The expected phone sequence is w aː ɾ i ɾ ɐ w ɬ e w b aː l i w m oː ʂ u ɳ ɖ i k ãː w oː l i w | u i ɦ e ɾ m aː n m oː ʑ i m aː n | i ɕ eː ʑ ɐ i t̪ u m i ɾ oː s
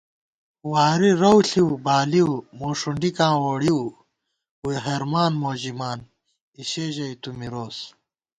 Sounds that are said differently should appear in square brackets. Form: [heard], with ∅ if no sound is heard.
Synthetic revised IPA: w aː ɾ i ɾ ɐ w ɬ [i] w b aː l i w m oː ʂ u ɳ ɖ i k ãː w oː [ɽ] i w | u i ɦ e ɾ m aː n m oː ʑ i m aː n | i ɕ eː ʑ ɐ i t̪ u m i ɾ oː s